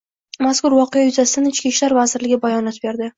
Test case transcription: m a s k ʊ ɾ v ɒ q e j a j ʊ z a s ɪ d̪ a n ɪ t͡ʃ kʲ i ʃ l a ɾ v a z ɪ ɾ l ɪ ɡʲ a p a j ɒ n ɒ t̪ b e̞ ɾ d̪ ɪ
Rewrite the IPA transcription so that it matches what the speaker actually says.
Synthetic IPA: m a s k ʊ ɾ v ɒ q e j a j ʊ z a s ɪ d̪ a n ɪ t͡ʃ kʲ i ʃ l a ɾ v a z ɪ ɾ l ɪ ɡʲ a b a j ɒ n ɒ t̪ b e̞ ɾ d̪ ɪ